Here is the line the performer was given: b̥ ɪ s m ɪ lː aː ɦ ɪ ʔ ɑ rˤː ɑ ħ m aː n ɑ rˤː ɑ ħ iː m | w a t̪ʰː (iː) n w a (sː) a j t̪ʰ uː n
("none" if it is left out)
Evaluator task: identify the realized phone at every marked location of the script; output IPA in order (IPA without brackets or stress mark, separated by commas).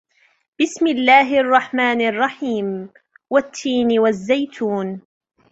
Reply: iː, zː